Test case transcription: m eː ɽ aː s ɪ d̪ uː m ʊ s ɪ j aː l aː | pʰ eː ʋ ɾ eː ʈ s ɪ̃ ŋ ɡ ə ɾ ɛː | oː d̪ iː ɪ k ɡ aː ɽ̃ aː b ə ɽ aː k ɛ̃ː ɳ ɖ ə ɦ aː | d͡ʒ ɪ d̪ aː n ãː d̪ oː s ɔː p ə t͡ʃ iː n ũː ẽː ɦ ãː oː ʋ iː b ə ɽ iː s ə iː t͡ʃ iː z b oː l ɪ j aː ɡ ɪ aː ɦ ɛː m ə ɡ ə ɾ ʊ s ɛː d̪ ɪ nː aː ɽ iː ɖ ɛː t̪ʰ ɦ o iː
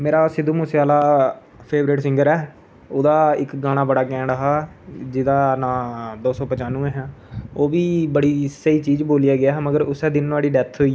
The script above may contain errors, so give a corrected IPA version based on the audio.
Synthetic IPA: m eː ɾ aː s ɪ d̪ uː m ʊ s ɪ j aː l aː | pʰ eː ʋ ɾ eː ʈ s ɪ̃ ŋ ɡ ə ɾ ɛː | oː d̪ aː ɪ k ɡ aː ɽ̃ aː b ə ɽ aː k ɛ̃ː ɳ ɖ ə ɦ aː | d͡ʒ ɪ d̪ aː n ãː d̪ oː s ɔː p ə t͡ʃ aː n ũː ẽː ɦ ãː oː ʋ iː b ə ɽ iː s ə iː t͡ʃ iː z b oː l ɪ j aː ɡ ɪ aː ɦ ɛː m ə ɡ ə ɾ ʊ s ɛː d̪ ɪ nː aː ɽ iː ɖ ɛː t̪ʰ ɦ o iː